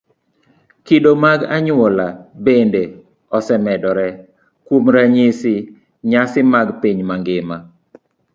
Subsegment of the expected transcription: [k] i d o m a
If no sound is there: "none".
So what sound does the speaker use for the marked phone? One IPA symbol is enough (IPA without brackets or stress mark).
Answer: k